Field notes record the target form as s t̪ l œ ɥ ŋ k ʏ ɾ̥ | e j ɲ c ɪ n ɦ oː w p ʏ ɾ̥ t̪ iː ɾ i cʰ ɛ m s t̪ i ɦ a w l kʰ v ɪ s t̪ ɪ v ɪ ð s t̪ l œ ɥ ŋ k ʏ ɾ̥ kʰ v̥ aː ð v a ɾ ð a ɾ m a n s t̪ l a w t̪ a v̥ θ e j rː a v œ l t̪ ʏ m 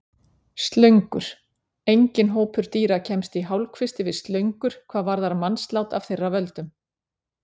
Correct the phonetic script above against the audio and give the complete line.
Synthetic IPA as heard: s t̪ l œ ɥ ŋ k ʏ ɾ̥ | e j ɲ c ɪ n ɦ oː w p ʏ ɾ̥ t̪ iː ɾ a cʰ ɛ m s t̪ i ɦ a w l kʰ v ɪ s t̪ ɪ v ɪ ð s t̪ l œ ɥ ŋ k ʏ ɾ̥ kʰ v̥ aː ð v a ɾ ð a ɾ m a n s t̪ l a w t̪ a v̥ θ e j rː a v œ l t̪ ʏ m